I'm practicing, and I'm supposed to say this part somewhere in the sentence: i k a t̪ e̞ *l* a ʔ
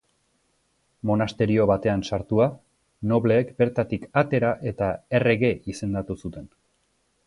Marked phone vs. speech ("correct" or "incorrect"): incorrect